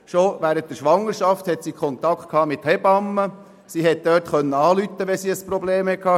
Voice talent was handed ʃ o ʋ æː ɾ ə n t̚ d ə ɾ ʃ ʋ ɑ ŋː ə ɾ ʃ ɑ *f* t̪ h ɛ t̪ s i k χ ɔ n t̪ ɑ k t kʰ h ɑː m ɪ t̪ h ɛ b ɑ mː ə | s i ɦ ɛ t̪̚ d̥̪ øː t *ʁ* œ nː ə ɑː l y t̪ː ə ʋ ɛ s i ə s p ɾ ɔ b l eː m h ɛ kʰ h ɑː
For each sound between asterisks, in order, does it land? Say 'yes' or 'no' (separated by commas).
yes, no